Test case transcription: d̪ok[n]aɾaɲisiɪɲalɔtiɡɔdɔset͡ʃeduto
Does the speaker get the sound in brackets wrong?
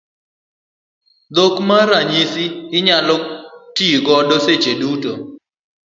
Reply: yes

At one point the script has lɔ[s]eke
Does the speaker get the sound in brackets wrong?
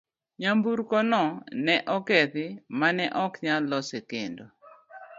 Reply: no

